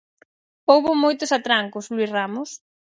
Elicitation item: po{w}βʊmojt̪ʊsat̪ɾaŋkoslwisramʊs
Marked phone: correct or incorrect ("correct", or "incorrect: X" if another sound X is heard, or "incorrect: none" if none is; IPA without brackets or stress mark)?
correct